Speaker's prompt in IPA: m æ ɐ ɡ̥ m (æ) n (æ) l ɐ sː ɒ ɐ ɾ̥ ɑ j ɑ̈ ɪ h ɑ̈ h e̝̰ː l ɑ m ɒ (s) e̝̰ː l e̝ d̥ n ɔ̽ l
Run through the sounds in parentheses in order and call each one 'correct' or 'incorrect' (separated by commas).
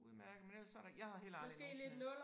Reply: incorrect, incorrect, correct